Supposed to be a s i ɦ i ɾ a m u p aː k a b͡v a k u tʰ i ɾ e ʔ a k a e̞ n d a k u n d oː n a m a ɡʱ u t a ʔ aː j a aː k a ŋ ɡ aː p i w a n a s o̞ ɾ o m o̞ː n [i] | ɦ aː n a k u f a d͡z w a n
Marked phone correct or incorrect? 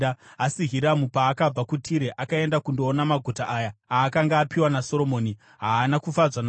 correct